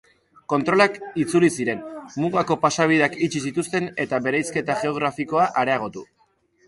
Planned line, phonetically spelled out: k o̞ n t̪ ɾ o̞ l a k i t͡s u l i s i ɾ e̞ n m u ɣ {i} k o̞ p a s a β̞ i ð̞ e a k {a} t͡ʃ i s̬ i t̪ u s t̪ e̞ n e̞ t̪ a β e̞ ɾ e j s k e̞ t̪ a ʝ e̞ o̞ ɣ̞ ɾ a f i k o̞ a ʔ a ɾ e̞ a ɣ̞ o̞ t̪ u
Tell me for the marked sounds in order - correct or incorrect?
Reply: incorrect: a, incorrect: i

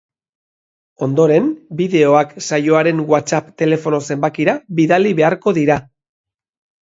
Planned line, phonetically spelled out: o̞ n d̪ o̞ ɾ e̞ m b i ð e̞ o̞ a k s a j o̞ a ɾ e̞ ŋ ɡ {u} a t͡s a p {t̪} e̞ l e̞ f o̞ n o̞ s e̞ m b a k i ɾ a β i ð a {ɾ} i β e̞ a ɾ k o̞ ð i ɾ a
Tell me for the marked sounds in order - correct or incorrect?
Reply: incorrect: w, correct, incorrect: l

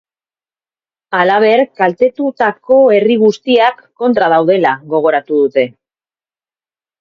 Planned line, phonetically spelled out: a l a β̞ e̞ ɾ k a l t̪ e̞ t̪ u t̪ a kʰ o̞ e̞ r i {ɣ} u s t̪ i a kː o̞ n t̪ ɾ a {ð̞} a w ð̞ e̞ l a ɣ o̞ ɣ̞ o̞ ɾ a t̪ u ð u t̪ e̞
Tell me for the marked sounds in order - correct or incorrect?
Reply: correct, correct

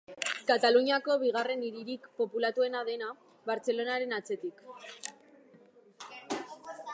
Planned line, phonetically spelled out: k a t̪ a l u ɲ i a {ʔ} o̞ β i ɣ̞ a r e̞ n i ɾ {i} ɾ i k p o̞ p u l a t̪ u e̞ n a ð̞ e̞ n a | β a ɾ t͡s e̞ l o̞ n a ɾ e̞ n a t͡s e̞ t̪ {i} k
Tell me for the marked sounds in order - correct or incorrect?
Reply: incorrect: k, correct, correct

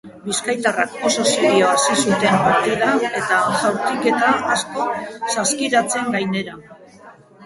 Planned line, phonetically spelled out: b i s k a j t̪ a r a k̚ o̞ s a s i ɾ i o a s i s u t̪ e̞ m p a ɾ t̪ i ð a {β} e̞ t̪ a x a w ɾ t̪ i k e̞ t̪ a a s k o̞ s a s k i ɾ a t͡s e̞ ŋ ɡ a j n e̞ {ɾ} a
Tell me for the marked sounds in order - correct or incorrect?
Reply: incorrect: w, correct

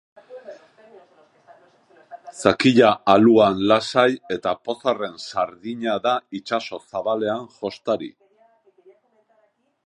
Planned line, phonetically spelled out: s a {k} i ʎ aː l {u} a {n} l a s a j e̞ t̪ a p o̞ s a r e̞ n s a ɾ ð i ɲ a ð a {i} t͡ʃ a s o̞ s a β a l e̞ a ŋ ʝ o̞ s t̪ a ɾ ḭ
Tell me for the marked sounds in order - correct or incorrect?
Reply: correct, correct, correct, correct

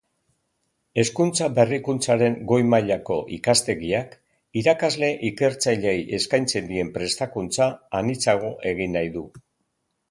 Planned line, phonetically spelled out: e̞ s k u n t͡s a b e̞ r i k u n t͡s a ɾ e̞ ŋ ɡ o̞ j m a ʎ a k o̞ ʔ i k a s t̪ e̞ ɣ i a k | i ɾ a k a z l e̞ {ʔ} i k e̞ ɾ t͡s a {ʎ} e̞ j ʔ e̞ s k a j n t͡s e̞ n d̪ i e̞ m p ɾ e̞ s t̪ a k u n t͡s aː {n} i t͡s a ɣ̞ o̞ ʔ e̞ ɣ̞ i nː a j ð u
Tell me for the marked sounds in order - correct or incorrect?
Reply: correct, correct, correct

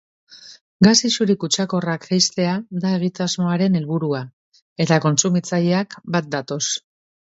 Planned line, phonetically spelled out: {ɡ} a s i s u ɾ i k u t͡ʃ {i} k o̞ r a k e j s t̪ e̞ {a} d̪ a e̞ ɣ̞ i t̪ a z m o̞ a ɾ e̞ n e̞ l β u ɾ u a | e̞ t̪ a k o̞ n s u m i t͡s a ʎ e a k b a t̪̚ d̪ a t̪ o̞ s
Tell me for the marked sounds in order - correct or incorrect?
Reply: correct, incorrect: a, correct

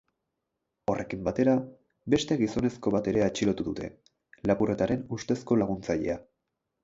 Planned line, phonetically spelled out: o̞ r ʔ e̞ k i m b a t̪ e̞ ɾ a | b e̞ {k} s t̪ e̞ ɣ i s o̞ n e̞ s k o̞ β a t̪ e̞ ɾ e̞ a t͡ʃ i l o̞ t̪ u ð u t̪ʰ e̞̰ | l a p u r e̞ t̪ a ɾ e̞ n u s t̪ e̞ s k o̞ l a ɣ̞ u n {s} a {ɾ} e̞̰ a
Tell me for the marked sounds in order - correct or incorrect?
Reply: incorrect: none, incorrect: t͡s, incorrect: ʎ

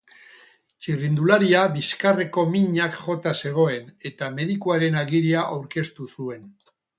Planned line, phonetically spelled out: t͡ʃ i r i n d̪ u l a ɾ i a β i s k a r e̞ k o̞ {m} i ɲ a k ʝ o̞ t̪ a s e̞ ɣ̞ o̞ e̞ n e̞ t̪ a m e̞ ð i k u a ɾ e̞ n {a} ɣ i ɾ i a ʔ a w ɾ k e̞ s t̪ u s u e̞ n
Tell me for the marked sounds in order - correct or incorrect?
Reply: correct, correct

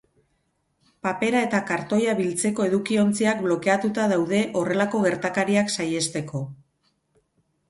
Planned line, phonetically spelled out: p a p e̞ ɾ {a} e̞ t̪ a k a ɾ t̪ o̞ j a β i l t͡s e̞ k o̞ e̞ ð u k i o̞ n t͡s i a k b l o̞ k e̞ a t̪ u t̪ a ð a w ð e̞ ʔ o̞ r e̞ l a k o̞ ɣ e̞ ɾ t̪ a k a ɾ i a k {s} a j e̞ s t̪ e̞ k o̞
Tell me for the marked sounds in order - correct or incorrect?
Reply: correct, correct

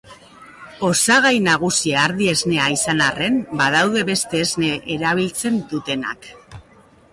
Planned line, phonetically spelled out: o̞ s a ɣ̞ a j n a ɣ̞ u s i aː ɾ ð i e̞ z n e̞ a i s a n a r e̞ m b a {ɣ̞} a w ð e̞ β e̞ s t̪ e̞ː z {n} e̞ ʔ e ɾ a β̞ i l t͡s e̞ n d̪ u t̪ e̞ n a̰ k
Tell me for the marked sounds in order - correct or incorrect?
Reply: incorrect: ð̞, correct

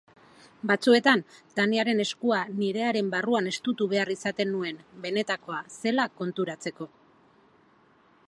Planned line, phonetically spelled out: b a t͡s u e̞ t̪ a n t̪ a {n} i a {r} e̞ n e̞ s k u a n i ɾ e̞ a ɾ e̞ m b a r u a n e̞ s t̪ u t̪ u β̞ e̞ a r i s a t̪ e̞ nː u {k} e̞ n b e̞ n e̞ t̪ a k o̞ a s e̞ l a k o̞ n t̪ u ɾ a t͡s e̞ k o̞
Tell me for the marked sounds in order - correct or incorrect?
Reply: correct, incorrect: ɾ, incorrect: none

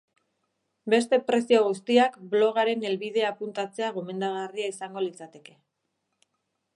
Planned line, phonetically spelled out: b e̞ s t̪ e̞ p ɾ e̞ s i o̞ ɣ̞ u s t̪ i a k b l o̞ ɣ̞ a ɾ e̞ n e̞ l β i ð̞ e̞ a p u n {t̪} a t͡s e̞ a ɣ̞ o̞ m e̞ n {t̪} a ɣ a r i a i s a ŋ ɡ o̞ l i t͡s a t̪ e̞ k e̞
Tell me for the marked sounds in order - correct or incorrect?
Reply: correct, incorrect: d̪

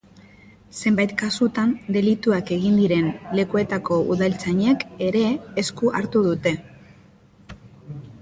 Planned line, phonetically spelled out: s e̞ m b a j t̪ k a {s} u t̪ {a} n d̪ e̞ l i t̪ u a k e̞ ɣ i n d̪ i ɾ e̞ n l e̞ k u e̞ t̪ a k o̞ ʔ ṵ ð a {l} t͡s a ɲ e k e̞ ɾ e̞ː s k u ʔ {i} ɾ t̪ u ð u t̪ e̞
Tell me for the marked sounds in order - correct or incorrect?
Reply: correct, correct, correct, incorrect: a

